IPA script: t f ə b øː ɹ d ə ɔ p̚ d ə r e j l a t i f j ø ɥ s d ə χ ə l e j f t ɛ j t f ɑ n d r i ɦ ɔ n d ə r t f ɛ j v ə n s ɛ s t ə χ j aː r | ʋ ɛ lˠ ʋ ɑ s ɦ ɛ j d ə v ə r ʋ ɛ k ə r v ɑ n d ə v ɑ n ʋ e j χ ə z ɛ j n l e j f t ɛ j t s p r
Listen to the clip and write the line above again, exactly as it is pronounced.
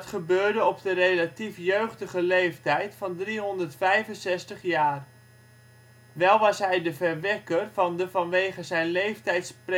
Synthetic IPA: t χ ə b øː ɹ d ə ɔ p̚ d ə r e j l a t i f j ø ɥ χ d ə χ ə l e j f t ɛ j t f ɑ n d r i ɦ ɔ n d ə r t f ɛ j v ə n s ɛ s t ə χ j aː r | ʋ ɛ lˠ ʋ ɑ s ɦ ɛ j d ə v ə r ʋ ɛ k ə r v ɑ n d ə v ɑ n ʋ e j χ ə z ɛ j n l e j f t ɛ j t s p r